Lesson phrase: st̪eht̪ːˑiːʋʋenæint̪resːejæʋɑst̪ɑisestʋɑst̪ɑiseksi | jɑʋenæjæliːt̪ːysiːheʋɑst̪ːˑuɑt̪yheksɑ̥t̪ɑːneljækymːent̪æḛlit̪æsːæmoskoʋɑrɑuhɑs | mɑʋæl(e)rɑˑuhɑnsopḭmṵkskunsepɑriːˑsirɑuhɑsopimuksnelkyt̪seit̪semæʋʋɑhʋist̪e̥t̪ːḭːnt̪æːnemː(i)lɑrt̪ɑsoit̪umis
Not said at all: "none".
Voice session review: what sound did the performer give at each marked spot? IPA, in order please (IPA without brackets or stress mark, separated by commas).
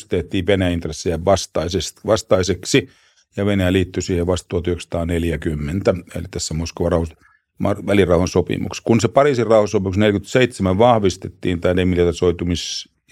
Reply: i, i